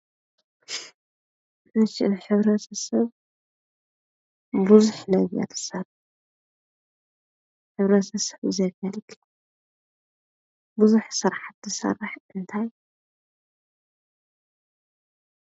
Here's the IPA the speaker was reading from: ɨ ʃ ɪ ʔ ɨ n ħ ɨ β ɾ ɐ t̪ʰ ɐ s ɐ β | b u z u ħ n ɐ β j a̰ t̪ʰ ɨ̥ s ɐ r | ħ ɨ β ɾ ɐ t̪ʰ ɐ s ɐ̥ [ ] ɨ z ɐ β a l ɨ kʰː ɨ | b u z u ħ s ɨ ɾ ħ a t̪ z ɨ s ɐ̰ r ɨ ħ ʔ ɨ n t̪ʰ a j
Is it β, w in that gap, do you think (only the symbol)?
β